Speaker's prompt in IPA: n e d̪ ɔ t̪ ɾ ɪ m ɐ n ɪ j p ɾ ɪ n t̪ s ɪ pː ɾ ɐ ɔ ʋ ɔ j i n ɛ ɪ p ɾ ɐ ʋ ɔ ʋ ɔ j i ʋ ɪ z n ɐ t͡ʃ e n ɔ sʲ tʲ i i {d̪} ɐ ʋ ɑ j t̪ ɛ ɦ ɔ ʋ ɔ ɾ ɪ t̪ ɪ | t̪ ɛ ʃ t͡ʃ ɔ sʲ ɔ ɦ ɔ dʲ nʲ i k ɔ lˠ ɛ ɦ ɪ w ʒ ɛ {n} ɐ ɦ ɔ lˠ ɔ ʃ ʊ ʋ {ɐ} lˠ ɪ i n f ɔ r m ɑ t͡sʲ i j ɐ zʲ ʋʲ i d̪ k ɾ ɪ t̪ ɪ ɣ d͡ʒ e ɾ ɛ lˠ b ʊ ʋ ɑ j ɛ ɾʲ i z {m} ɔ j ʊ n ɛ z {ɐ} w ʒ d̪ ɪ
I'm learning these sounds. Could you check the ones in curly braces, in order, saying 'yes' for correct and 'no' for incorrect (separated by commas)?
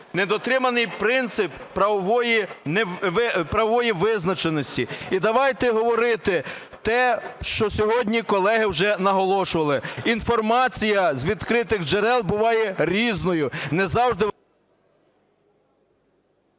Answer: yes, yes, yes, no, no